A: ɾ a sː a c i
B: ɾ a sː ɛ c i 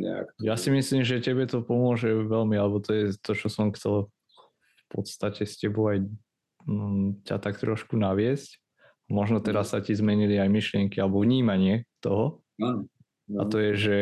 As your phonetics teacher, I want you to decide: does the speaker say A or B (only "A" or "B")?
A